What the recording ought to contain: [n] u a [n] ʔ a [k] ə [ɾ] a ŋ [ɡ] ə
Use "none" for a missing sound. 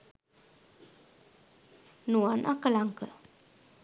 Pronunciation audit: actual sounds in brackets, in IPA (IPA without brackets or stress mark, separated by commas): n, n, k, l, k